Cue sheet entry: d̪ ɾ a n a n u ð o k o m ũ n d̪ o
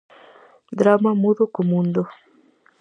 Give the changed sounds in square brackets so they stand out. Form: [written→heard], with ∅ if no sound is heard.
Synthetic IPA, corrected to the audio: d̪ ɾ a [n→m] a [n→m] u ð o k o m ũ n d̪ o